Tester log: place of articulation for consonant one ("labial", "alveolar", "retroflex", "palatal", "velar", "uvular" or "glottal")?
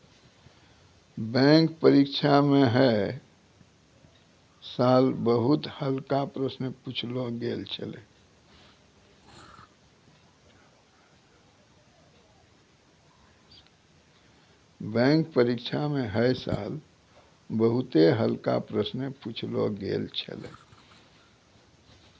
labial